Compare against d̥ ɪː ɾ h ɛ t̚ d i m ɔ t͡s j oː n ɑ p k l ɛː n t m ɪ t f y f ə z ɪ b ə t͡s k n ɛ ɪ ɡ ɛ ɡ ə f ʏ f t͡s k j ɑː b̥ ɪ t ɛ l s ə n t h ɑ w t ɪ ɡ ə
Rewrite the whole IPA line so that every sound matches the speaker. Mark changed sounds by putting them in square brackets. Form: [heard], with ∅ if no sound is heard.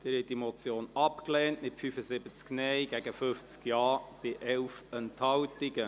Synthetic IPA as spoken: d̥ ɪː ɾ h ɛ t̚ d i m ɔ t͡s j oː n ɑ p k l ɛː n t m ɪ t f y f ə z ɪ b ə t͡s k n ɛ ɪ ɡ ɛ ɡ ə f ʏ f t͡s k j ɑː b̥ ɪ [ʔ] ɛ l [f] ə n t h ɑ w t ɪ ɡ ə